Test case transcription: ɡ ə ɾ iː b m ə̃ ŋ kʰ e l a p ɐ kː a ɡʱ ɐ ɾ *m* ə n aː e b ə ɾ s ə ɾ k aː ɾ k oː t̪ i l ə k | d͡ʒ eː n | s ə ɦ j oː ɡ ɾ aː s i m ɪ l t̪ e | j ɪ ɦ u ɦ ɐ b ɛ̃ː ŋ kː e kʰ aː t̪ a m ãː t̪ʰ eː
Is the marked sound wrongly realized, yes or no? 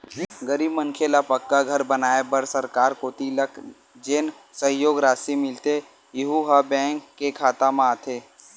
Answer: yes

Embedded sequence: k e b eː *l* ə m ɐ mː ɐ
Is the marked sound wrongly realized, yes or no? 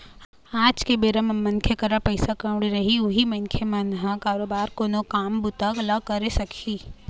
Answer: yes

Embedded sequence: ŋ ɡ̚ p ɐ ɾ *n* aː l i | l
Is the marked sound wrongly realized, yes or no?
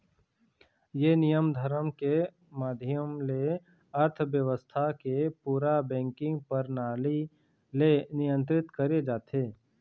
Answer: no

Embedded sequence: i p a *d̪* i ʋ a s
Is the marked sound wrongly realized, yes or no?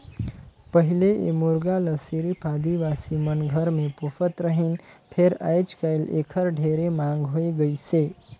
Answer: no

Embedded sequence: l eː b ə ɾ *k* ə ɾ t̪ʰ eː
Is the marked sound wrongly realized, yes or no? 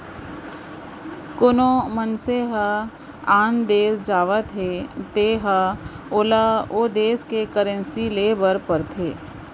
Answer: yes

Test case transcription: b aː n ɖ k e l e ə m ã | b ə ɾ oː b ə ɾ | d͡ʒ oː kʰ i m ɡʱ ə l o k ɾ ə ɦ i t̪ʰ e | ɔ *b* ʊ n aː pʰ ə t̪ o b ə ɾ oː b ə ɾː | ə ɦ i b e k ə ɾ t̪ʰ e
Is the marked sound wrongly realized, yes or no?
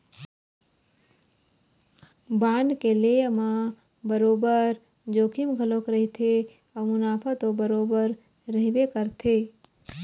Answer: yes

